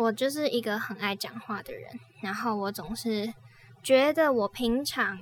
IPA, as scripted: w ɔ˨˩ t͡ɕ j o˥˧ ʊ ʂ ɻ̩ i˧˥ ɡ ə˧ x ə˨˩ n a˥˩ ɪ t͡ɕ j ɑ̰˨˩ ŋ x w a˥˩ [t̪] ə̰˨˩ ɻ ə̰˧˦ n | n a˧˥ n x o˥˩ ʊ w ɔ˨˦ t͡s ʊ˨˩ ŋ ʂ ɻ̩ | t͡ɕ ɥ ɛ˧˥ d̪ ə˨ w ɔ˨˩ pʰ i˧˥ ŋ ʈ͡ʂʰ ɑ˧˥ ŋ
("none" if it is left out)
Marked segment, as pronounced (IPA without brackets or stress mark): d̪